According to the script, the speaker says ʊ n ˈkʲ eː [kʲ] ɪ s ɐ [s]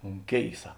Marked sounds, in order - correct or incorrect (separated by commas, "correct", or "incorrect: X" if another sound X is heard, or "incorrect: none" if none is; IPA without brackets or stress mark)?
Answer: incorrect: none, incorrect: none